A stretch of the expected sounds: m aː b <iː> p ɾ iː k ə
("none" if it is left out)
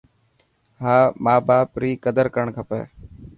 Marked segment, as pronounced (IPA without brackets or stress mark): aː